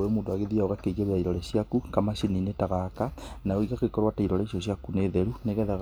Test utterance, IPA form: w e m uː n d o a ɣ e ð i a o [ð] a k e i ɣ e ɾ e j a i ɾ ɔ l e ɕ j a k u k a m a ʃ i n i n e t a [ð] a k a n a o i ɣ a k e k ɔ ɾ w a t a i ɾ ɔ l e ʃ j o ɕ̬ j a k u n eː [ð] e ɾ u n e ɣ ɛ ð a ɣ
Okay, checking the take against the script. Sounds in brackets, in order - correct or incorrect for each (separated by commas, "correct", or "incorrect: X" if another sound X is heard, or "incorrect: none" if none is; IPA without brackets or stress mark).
incorrect: ɣ, incorrect: ɣ, correct